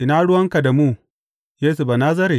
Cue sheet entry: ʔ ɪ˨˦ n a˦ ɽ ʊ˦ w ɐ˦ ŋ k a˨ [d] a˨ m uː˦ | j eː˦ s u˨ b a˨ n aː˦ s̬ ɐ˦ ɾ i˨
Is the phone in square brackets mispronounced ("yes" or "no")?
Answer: no